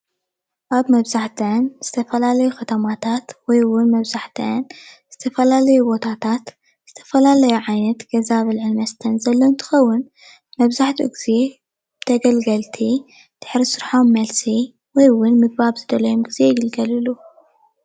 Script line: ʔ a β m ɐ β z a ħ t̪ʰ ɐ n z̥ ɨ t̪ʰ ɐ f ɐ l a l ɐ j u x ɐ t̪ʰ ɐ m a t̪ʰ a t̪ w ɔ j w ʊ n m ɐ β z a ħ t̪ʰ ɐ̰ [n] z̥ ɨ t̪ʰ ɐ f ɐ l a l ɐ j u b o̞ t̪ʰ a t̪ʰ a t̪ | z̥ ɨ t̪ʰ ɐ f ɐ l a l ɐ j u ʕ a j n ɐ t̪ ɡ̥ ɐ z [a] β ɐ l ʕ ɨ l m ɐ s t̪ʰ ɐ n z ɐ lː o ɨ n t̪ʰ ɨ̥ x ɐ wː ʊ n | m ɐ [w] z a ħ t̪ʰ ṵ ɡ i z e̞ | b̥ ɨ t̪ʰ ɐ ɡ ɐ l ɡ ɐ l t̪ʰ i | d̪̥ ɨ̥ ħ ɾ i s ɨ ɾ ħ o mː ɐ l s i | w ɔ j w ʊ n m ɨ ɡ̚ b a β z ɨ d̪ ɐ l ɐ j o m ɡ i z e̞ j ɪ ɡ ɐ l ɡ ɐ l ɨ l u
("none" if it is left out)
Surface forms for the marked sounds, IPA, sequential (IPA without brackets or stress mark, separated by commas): n, a, β